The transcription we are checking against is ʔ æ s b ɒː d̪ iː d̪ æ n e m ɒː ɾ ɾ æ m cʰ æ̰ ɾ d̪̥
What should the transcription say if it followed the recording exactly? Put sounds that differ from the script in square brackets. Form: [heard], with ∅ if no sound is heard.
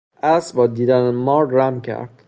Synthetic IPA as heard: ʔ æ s b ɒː d̪ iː d̪ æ n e m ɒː ɾ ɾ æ m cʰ æ̰ ɾ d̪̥